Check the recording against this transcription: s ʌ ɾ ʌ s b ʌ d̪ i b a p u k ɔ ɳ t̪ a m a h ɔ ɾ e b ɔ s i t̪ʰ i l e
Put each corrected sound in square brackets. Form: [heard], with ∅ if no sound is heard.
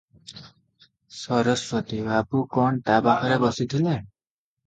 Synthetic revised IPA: s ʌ ɾ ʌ s [w] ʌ [t̪] i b a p u k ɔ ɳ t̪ a [b] a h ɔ ɾ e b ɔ s i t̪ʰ i l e

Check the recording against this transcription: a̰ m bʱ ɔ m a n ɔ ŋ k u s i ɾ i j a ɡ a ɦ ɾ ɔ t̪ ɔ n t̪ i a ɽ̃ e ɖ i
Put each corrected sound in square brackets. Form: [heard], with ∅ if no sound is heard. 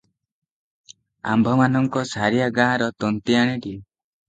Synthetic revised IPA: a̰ m bʱ ɔ m a n ɔ ŋ k [ɔ] s [a] ɾ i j a ɡ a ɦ ɾ ɔ t̪ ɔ n t̪ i a ɽ̃ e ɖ i

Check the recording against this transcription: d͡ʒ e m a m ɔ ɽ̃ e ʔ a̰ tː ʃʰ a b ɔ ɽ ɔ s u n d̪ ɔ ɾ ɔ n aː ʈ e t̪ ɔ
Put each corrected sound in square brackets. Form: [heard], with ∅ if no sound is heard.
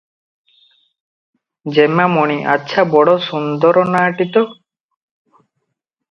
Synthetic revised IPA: d͡ʒ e m a m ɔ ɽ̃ [i] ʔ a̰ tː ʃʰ a b ɔ ɽ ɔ s u n d̪ ɔ ɾ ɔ n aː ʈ [i] t̪ ɔ

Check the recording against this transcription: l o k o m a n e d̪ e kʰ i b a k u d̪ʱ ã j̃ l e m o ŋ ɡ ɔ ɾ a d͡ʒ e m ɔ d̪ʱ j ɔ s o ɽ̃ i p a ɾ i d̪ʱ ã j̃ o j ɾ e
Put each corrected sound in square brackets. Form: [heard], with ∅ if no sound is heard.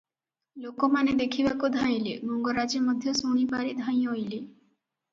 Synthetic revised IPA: l o k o m a n e d̪ e kʰ i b a k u d̪ʱ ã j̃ l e m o ŋ ɡ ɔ ɾ a d͡ʒ e m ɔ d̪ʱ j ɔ s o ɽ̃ i p a ɾ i d̪ʱ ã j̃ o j [l] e

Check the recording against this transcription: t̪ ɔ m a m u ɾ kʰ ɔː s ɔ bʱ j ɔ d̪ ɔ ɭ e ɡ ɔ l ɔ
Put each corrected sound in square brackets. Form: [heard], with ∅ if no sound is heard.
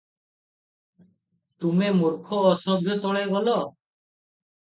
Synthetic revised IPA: t̪ [u] m [e] m u ɾ kʰ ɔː s ɔ bʱ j ɔ [t̪] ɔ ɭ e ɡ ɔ l ɔ

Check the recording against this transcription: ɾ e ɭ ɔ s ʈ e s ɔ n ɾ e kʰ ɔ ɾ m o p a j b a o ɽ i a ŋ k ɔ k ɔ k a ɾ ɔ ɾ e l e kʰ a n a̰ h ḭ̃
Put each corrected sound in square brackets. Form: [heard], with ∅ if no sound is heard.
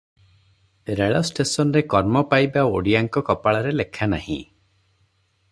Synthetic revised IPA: ɾ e ɭ ɔ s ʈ e s ɔ n ɾ e [k] ɔ ɾ m [ɔ] p a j b a o ɽ i a ŋ k ɔ k ɔ [p] a [ɭ] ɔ ɾ e l e kʰ a n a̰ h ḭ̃

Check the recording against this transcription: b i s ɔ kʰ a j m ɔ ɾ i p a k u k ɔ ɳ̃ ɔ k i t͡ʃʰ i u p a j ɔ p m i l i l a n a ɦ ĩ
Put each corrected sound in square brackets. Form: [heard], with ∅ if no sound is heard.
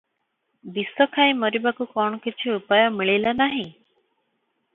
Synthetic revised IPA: b i s ɔ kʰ a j m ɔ ɾ i [b] a k u k ɔ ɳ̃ ɔ k i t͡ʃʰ i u p a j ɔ [∅] m i [ɭ] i l a n a ɦ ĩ

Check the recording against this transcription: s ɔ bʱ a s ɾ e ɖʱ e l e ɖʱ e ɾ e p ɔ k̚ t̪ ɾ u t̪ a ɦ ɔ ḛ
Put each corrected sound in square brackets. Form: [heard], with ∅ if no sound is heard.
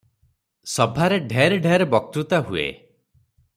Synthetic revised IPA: s ɔ bʱ a [∅] ɾ e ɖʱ e [ɾ] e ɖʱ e ɾ e [b] ɔ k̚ t̪ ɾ u t̪ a ɦ [u] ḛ

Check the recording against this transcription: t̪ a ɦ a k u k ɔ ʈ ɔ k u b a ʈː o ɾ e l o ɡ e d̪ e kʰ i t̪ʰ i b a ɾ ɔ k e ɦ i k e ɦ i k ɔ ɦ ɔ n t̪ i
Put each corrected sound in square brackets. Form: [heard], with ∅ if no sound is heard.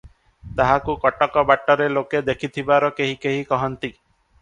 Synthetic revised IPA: t̪ a ɦ a k u k ɔ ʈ ɔ k [ɔ] b a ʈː [ɔ] ɾ e l o [k] e d̪ e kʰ i t̪ʰ i b a ɾ ɔ k e ɦ i k e ɦ i k ɔ ɦ ɔ n t̪ i

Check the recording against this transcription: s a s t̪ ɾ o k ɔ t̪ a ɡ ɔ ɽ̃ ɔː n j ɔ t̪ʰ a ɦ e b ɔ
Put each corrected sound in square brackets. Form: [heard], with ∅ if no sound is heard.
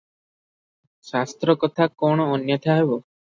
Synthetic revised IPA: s a s t̪ ɾ [ɔ] k ɔ [t̪ʰ] a [k] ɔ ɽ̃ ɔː n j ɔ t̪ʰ a ɦ e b ɔ

